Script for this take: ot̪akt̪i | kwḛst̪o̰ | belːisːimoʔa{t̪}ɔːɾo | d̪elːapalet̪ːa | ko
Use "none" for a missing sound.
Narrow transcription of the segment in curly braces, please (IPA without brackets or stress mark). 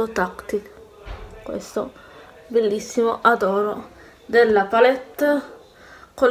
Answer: d̪